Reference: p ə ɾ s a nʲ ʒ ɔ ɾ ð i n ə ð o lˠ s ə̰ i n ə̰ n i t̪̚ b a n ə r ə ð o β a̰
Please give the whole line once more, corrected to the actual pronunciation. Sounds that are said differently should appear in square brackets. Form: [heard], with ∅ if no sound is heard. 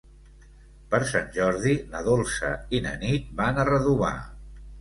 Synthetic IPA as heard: p ə ɾ s a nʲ ʒ ɔ ɾ ð i n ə ð o lˠ s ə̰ i n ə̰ n i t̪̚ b a n ə r ə ð [u] β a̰